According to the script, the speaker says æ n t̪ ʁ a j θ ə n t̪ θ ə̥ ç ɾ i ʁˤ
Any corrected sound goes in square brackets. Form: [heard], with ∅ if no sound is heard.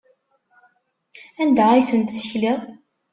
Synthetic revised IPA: æ n [d̪] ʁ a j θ ə n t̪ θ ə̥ ç [l] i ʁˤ